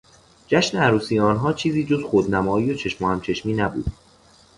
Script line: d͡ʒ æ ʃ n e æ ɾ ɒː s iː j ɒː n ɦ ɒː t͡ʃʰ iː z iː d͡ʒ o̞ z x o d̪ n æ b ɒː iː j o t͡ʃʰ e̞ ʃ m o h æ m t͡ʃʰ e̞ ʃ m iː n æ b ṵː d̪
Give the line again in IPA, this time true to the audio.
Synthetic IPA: d͡ʒ æ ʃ n e æ ɾ uː s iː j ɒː n ɦ ɒː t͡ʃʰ iː z iː d͡ʒ o̞ z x o d̪ n æ m ɒː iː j o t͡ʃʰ e̞ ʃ m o h æ m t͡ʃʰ e̞ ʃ m iː n æ b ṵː d̪